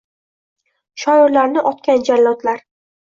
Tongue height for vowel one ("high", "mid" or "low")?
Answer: low